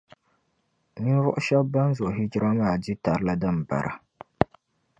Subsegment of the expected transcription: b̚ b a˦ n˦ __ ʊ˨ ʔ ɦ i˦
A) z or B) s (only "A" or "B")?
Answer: A